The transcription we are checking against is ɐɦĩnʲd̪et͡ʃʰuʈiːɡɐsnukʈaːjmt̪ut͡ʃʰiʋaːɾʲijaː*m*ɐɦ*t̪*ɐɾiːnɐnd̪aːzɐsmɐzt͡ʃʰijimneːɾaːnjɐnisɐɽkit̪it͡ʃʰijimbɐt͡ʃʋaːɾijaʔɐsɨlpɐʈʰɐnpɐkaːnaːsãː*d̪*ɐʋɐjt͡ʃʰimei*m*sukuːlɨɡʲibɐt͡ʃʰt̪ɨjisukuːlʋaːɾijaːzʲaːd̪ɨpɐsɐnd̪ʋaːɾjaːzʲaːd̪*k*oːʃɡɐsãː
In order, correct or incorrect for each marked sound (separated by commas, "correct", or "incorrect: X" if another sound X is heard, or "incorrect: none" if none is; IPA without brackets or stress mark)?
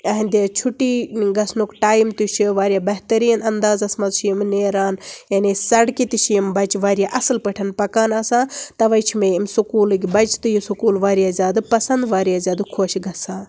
incorrect: b, correct, incorrect: t̪, correct, incorrect: kʰ